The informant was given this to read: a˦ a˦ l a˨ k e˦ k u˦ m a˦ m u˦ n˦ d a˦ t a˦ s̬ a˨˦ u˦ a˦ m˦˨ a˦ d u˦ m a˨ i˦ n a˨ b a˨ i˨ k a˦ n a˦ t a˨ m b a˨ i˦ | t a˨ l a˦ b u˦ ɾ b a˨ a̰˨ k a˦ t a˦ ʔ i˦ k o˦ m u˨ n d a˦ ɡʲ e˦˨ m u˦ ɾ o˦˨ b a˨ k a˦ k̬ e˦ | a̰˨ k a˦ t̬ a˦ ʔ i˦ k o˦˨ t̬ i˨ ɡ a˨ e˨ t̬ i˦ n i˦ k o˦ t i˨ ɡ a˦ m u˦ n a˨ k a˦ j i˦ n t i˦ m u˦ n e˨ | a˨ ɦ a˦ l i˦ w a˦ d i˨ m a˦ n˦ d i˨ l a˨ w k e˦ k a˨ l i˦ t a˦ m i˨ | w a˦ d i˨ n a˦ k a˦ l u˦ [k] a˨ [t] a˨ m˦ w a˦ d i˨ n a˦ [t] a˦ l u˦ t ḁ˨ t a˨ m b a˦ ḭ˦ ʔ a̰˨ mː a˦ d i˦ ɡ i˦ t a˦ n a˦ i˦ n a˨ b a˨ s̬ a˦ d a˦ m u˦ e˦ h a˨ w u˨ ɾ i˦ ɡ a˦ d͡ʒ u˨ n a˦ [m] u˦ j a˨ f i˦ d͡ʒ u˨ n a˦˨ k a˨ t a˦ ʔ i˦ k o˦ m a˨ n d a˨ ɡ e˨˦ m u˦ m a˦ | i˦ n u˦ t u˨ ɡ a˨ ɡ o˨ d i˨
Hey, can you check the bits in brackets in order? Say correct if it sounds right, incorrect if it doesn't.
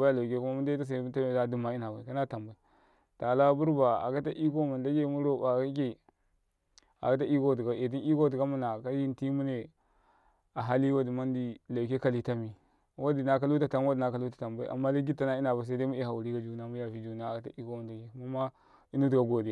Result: incorrect: t, correct, incorrect: k, correct

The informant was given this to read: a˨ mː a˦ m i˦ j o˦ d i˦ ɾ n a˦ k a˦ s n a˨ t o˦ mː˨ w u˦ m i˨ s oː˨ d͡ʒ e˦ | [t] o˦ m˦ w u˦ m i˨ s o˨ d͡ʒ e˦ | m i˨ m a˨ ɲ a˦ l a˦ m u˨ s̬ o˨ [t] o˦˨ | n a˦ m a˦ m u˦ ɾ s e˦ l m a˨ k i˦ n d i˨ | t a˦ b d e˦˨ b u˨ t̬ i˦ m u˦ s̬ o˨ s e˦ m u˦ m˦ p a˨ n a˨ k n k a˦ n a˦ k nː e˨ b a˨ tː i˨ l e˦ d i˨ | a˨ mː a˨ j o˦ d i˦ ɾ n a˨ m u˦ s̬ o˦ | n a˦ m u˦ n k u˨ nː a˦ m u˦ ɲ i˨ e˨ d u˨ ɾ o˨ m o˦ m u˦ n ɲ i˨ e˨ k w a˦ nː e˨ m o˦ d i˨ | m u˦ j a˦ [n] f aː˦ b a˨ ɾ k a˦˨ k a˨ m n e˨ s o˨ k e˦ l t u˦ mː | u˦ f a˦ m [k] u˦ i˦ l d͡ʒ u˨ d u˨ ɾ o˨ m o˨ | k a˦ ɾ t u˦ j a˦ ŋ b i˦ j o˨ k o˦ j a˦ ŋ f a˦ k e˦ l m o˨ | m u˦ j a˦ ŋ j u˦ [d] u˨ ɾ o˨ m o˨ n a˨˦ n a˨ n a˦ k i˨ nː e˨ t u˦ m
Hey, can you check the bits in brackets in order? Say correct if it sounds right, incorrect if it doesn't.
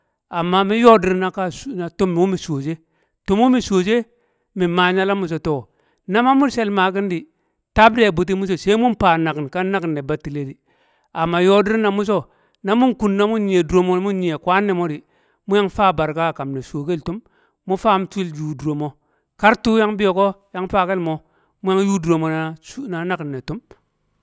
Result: correct, correct, incorrect: ŋ, incorrect: t, correct

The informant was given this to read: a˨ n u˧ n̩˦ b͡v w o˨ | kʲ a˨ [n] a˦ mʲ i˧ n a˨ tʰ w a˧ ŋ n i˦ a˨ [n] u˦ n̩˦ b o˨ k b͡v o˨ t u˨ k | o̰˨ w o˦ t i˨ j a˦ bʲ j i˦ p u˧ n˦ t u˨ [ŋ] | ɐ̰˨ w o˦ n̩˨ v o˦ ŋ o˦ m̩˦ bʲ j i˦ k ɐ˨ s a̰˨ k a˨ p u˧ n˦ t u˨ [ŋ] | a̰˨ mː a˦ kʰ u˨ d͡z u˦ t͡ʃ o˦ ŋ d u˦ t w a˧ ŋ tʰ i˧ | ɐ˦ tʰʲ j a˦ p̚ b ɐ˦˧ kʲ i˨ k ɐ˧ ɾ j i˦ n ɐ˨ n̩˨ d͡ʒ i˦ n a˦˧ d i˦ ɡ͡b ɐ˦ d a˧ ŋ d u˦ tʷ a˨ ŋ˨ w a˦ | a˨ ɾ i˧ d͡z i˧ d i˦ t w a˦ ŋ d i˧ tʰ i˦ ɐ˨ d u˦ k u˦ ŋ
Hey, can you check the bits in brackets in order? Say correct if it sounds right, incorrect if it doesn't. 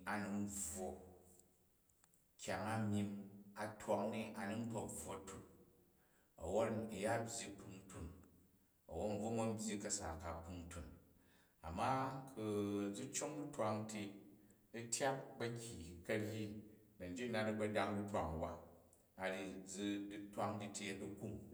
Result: incorrect: ŋ, correct, incorrect: n, incorrect: n

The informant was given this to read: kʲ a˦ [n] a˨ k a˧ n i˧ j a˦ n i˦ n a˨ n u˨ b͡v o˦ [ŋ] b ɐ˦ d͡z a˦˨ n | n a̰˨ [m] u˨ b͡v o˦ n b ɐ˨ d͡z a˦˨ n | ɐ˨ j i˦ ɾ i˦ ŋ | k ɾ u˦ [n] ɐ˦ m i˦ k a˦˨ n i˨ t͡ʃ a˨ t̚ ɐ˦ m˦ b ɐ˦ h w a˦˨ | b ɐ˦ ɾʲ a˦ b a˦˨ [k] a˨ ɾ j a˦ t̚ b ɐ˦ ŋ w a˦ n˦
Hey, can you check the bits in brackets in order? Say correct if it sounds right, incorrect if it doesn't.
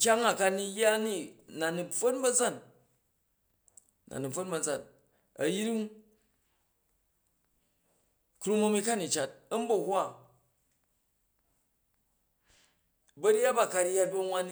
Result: incorrect: ŋ, incorrect: n, incorrect: n, incorrect: m, correct

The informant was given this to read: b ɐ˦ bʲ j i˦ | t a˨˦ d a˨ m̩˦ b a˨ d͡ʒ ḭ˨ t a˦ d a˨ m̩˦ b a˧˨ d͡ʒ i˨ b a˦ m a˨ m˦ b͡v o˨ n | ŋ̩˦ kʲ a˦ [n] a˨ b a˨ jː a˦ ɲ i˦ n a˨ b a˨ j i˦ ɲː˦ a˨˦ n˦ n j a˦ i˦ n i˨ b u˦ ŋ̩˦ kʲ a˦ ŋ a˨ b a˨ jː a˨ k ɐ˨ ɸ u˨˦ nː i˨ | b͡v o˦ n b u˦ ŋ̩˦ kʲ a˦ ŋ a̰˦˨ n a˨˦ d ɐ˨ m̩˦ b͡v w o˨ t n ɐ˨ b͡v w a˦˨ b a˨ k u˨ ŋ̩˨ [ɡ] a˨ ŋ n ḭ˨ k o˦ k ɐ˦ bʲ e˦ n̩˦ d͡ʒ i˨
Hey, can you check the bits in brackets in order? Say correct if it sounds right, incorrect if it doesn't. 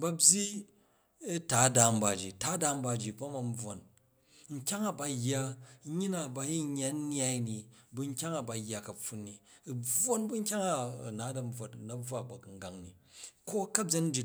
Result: incorrect: ŋ, correct

